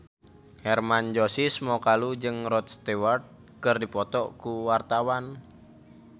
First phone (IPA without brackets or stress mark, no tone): h